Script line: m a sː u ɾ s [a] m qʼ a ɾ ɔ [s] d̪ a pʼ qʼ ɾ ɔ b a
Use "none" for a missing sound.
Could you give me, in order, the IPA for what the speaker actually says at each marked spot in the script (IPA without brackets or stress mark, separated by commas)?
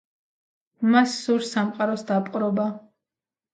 a, s